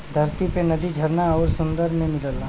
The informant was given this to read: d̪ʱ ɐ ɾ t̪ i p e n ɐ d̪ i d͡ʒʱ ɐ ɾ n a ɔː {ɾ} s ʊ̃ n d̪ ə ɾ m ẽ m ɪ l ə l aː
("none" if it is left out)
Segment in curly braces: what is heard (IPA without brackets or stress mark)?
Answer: ɾ